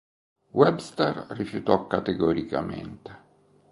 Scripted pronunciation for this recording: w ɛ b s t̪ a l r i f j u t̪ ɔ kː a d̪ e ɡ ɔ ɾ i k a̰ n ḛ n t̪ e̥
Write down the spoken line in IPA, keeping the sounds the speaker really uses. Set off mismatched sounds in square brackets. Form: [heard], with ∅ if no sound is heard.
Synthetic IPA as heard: w ɛ b s t̪ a [r] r i f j u t̪ ɔ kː a [t̪] e ɡ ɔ ɾ i k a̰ [m] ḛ n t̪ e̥

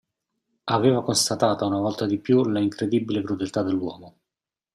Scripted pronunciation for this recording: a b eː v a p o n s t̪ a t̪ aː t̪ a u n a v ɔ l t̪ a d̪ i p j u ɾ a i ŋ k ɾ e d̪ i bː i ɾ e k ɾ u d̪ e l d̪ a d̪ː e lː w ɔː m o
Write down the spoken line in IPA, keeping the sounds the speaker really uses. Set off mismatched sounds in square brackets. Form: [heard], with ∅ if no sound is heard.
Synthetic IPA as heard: a [v] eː v a [k] o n s t̪ a t̪ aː t̪ a u n a v ɔ l t̪ a d̪ i p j u [l] a i ŋ k ɾ e d̪ i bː i [l] e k ɾ u d̪ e l [t̪] a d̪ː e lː w ɔː m o

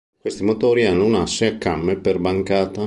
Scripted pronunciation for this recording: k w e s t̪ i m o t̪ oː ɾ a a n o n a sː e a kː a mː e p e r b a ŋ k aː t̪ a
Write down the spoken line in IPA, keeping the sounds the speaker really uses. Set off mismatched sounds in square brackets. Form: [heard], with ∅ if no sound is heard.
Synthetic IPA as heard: k w e s t̪ i m o t̪ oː ɾ [i] a [nː] o n a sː e a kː a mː e p e r b a ŋ k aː t̪ a

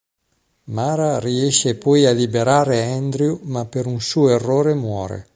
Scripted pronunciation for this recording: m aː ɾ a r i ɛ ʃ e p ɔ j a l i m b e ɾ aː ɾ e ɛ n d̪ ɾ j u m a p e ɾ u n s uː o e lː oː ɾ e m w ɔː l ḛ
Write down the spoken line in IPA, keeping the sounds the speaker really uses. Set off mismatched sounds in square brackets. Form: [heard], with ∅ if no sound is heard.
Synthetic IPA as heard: m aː ɾ a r i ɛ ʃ e p ɔ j a l i [∅] b e ɾ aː ɾ e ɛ n d̪ ɾ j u m a p e ɾ u n s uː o e [rː] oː ɾ e m w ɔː [ɾ] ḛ

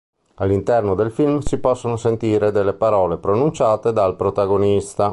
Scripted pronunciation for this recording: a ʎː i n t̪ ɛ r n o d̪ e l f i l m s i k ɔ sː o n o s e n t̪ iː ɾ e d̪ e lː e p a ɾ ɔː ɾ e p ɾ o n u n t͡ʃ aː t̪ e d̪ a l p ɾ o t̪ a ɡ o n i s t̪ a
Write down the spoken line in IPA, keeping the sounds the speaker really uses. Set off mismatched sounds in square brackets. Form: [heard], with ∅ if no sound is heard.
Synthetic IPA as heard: a [lː] i n t̪ ɛ r n o d̪ e l f i l m s i [p] ɔ sː o n o s e n t̪ iː ɾ e d̪ e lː e p a ɾ ɔː [l] e p ɾ o n u n t͡ʃ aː t̪ e d̪ a l p ɾ o t̪ a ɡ o n i s t̪ a

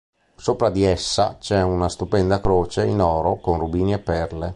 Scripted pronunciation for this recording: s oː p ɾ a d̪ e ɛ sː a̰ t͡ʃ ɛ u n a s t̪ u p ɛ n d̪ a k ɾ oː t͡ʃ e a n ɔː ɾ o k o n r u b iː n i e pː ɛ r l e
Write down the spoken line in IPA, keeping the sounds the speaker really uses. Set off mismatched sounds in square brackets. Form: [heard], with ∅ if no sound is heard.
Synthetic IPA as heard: s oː p ɾ a d̪ [i] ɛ sː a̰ t͡ʃ ɛ u n a s t̪ u p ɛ n d̪ a k ɾ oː t͡ʃ e [i] n ɔː ɾ o k o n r u b iː n i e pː ɛ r l e

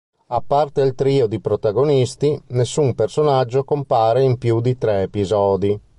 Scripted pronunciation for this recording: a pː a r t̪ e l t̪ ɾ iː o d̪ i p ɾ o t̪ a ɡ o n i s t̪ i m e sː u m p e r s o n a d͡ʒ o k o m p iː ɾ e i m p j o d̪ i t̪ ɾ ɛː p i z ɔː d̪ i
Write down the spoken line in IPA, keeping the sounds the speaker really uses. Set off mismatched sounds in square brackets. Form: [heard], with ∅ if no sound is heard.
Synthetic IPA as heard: a pː a r t̪ e l t̪ ɾ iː o d̪ i p ɾ o t̪ a ɡ o n i s t̪ i [n] e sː u m p e r s o n a [d͡ʒː] o k o m p [aː] ɾ e i m p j [u] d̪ i t̪ ɾ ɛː p i z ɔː d̪ i

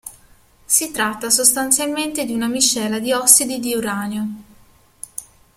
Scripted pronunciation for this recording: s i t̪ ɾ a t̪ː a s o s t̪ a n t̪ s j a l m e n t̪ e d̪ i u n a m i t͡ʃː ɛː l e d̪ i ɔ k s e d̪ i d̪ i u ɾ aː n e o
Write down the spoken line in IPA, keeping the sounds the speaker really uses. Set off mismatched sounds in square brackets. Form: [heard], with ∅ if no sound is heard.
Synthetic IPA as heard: s i t̪ ɾ a t̪ː a s o s t̪ a n t̪ s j a l m e n t̪ e d̪ i u n a m i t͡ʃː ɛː l [a] d̪ i ɔ k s [i] d̪ i d̪ i u ɾ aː n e o

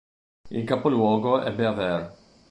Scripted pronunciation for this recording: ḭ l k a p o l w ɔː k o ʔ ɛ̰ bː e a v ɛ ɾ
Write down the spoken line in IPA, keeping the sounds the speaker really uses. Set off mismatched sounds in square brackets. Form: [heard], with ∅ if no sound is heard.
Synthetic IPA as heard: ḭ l k a p o l w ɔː [ɡ] o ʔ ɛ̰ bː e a v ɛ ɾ

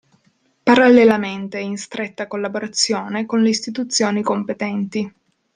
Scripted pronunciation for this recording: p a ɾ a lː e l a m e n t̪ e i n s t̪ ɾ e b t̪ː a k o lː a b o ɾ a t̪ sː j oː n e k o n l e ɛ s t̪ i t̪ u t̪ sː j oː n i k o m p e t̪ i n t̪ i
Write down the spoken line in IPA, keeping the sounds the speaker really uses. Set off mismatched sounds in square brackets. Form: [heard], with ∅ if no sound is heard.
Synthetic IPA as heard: p a ɾ a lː e l a m e n t̪ e i n s t̪ ɾ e [∅] t̪ː a k o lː a b o ɾ a t̪ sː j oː n e k o n l e [i] s t̪ i t̪ u t̪ sː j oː n i k o m p e t̪ [ɛ] n t̪ i

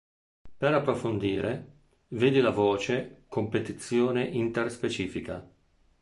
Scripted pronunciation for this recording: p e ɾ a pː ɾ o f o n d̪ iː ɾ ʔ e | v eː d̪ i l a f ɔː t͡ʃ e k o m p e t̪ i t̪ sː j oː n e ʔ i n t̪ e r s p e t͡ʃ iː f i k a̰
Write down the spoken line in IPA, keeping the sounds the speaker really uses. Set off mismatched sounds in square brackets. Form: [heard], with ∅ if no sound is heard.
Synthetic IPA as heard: p e ɾ a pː ɾ o f o n d̪ iː ɾ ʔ e | v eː d̪ i l a [v] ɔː t͡ʃ e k o m p e t̪ i t̪ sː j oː n e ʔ i n t̪ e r s p e t͡ʃ iː f i k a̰

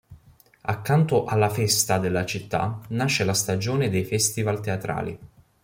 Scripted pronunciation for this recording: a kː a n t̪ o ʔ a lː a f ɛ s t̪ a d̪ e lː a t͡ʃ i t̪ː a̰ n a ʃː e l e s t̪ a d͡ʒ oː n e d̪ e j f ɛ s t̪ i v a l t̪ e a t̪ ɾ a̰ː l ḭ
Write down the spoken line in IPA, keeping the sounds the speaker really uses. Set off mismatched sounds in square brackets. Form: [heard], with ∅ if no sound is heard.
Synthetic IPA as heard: a kː a n t̪ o ʔ a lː a f ɛ s t̪ a d̪ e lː a t͡ʃ i t̪ː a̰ n a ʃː e l [a] s t̪ a d͡ʒ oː n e d̪ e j f ɛ s t̪ i v a l t̪ e a t̪ ɾ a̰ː l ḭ

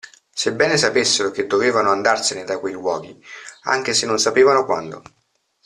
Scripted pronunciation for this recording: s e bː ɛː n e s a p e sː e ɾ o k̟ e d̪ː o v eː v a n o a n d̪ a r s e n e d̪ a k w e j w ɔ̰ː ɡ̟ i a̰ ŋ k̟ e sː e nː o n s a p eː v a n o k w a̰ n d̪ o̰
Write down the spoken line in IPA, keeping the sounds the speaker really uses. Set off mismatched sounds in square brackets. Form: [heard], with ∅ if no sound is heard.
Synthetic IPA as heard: s e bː ɛː n e s a p e sː e ɾ o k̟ e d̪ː o v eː v a n o a n d̪ a r s e n e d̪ a k w e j w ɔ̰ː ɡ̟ i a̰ ŋ k̟ e [s] e nː o n s a p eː v a n o k w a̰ n d̪ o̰

